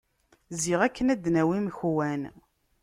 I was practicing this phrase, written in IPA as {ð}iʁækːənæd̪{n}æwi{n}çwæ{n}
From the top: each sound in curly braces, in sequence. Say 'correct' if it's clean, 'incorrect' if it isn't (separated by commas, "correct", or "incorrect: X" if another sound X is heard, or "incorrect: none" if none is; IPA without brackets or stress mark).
incorrect: z, correct, incorrect: m, correct